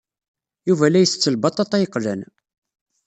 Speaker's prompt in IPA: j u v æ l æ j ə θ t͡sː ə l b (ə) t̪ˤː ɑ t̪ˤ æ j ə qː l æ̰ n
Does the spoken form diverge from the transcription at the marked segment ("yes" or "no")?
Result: yes